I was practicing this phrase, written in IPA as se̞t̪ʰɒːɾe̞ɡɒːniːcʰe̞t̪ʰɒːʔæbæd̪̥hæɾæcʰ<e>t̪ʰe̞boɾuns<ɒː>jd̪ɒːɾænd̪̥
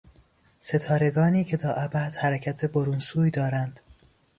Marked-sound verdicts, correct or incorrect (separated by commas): incorrect, incorrect